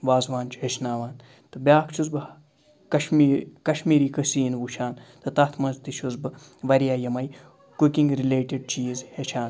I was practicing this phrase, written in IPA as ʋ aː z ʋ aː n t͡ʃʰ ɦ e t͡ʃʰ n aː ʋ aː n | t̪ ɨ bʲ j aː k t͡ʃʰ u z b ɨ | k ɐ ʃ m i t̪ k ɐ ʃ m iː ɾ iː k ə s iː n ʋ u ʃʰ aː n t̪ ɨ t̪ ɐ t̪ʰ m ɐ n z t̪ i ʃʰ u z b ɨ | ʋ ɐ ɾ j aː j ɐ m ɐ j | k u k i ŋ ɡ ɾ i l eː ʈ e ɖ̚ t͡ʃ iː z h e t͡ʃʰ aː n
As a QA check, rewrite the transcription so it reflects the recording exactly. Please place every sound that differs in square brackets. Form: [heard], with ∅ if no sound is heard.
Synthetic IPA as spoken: ʋ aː z ʋ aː n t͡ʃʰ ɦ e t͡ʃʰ n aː ʋ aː n | t̪ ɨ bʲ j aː k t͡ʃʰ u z b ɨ | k ɐ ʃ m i [∅] k ɐ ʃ m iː ɾ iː k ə s iː n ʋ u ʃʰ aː n t̪ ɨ t̪ ɐ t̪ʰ m ɐ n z t̪ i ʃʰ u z b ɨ | ʋ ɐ ɾ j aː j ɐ m ɐ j | k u k i ŋ ɡ ɾ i l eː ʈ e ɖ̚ t͡ʃ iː z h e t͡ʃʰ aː n